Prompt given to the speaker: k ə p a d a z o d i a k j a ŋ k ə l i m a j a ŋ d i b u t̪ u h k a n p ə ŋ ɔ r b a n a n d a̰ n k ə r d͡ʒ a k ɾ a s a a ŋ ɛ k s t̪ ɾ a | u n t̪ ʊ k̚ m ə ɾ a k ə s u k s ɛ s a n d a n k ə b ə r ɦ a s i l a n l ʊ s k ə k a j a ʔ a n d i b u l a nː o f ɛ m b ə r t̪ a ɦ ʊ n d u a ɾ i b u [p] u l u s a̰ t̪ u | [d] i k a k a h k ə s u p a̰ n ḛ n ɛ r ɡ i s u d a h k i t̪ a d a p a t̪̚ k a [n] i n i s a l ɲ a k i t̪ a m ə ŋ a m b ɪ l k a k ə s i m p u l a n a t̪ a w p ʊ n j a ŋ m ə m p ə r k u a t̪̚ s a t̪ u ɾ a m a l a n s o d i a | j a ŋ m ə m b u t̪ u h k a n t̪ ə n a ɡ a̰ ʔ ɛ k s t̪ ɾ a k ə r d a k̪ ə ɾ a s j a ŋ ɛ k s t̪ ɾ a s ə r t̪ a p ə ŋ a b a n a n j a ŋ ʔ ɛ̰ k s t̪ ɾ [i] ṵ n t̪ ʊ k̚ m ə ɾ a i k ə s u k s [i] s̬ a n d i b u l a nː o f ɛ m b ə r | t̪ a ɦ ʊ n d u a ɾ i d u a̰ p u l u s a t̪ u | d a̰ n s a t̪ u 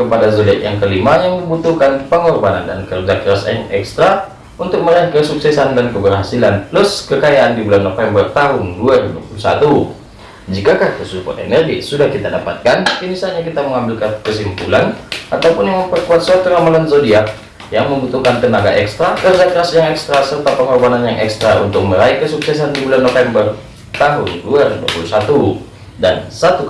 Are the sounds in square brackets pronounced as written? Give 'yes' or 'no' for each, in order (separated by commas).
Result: yes, no, yes, no, no